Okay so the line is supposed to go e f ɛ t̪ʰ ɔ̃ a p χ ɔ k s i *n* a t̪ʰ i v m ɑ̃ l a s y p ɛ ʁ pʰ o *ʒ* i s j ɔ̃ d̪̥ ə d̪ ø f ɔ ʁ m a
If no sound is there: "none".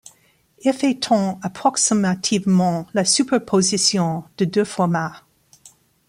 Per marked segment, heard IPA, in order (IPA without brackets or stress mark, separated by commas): m, z